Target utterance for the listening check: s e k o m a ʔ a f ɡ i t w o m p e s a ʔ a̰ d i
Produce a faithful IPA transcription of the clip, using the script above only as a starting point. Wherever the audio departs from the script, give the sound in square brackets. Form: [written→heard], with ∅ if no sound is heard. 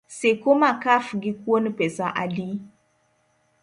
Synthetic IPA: s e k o m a [ʔ→k] a f ɡ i [t→k] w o [m→n] p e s a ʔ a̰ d i